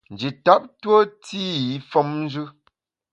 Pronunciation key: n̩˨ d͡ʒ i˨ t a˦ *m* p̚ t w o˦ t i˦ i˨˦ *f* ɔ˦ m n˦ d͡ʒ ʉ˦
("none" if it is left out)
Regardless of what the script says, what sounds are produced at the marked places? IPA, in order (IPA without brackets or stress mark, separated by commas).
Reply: none, f